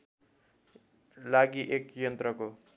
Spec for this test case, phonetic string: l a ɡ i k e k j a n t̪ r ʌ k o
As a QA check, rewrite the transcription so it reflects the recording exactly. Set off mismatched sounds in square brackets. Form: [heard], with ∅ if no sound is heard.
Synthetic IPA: l a ɡ i [ʔ] e k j [ʌ] n t̪ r ʌ k o